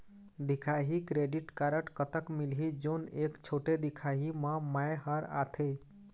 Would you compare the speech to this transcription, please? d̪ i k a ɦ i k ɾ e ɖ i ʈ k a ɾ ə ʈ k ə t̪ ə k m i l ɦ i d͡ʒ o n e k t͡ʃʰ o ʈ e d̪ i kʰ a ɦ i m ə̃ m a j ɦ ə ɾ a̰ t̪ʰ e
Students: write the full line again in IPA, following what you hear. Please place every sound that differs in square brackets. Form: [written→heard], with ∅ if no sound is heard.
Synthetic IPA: d̪ i [k→kʰ] a ɦ i k ɾ e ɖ i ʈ k a ɾ ə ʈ k ə t̪ ə k m i l ɦ i d͡ʒ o n e k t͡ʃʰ o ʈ e d̪ i kʰ a ɦ i m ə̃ m a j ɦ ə ɾ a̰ t̪ʰ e

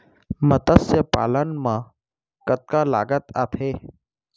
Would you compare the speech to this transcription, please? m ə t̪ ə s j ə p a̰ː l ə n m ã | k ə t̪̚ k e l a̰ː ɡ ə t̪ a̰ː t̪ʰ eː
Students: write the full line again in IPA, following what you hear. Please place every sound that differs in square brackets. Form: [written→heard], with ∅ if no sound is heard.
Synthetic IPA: m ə t̪ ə s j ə p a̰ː l ə n m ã | k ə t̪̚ k [e→a] l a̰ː ɡ ə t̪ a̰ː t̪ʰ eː

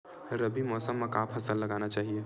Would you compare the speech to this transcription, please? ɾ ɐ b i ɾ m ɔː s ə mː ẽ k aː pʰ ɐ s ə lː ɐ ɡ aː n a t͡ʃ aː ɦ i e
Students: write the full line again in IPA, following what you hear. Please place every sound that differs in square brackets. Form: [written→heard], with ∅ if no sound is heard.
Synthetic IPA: ɾ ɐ b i [ɾ→∅] m ɔː s ə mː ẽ k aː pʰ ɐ s ə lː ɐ ɡ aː n a t͡ʃ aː ɦ i e

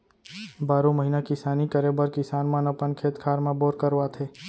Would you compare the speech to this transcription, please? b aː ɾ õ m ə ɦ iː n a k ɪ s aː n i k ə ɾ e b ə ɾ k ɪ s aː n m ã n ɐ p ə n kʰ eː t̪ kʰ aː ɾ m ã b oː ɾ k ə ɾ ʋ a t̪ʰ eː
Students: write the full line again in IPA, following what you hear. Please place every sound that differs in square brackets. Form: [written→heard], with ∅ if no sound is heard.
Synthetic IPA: b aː ɾ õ m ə ɦ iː n a k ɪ s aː n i k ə ɾ e b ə ɾ k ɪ s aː n m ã n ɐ p ə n kʰ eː t̪ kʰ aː ɾ m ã b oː ɾ k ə ɾ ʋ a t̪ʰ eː

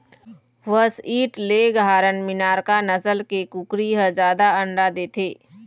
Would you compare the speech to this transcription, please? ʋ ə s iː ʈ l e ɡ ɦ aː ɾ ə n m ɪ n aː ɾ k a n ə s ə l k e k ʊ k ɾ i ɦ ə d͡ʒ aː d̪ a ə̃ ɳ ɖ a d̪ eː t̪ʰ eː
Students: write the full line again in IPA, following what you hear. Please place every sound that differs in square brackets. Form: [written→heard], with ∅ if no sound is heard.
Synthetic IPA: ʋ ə s iː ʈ l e ɡ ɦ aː ɾ ə n m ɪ n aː ɾ k a n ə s ə l k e k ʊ k ɾ i ɦ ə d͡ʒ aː d̪ a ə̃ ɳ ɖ a d̪ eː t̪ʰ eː

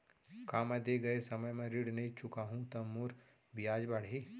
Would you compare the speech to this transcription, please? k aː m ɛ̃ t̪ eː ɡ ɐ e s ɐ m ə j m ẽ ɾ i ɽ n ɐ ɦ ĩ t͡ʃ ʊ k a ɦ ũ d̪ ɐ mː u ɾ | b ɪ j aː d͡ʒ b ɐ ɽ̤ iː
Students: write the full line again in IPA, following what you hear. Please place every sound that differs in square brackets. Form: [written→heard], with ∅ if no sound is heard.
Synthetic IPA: k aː m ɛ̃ [t̪→d̪] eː ɡ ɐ e s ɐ m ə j m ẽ ɾ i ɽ n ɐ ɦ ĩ t͡ʃ ʊ k a ɦ ũ [d̪→t̪] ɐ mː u ɾ | b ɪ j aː d͡ʒ b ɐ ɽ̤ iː

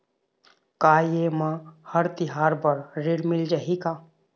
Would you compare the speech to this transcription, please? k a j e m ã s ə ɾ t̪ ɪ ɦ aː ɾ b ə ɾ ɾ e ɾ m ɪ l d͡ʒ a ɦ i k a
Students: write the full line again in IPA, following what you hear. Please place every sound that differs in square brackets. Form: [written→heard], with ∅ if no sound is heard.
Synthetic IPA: k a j e m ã [s→h] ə ɾ t̪ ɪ ɦ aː ɾ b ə ɾ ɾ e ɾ m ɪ l d͡ʒ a ɦ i k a

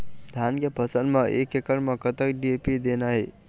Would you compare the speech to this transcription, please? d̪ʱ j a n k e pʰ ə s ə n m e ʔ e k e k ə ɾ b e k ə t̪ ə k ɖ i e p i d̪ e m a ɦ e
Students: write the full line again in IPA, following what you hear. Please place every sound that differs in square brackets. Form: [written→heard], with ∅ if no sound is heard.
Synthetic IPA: d̪ʱ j a n k e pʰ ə s ə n m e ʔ e k e k ə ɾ [b→m] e k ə t̪ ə k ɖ i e p i d̪ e [m→n] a ɦ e

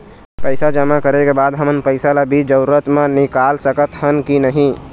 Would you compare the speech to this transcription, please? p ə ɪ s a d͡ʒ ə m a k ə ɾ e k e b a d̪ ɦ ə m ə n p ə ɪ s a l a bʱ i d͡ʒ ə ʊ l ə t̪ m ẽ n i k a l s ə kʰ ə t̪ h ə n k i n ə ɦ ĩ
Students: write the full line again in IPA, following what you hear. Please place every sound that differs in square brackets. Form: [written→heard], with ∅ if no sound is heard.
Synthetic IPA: p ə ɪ s a d͡ʒ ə m a k ə ɾ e k e b a d̪ ɦ ə m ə n p ə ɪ s a l a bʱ i d͡ʒ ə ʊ [l→ɾ] ə t̪ m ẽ n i k a l s ə [kʰ→k] ə t̪ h ə n k i n ə ɦ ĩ

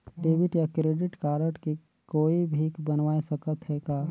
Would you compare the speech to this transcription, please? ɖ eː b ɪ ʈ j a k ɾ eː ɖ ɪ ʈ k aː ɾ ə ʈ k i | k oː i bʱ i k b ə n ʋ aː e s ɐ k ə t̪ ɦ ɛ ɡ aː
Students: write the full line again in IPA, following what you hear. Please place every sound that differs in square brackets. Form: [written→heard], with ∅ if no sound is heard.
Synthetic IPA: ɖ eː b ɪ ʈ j a k ɾ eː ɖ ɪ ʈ k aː ɾ ə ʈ k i | k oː i bʱ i k b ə n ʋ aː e s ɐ k ə t̪ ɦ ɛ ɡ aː

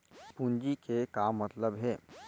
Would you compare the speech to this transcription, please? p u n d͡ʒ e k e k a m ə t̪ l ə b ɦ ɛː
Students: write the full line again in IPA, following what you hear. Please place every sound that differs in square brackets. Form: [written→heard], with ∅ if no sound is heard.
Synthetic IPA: p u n d͡ʒ [e→i] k e k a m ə t̪ l ə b ɦ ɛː

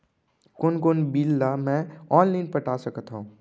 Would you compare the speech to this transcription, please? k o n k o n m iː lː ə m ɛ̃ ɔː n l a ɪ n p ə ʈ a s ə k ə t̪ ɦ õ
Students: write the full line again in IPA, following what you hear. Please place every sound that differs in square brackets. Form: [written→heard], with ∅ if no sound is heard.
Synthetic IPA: k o n k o n [m→b] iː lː [ə→a] m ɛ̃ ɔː n l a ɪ n p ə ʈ a s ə k ə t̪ ɦ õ

